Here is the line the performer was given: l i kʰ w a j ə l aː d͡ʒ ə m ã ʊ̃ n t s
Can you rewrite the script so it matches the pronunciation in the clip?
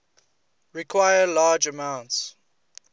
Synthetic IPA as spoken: ɹ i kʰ w a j ə l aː d͡ʒ ə m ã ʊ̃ n t s